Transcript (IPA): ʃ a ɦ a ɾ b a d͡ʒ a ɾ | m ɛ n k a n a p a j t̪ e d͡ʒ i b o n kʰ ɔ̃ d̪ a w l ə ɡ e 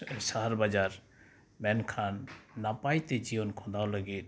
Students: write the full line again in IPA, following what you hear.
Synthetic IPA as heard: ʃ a ɦ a ɾ b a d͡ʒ a ɾ | m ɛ n kʰ a nː a p a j t̪ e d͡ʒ i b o n kʰ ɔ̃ d̪ a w l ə ɡ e